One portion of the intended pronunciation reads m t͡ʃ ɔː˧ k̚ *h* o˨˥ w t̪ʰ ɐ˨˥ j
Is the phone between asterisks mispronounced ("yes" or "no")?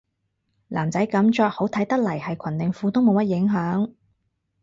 no